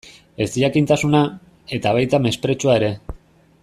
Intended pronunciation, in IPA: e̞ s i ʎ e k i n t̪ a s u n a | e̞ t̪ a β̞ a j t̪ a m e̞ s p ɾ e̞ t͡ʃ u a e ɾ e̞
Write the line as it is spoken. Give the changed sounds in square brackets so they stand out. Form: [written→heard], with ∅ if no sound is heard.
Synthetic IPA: e̞ s i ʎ [e→a] k i n t̪ a s u n a | e̞ t̪ a β̞ a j t̪ a m e̞ s p ɾ e̞ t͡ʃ u a e ɾ e̞